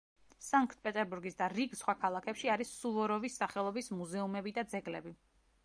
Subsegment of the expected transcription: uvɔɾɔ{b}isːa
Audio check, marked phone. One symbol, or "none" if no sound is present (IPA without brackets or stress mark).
v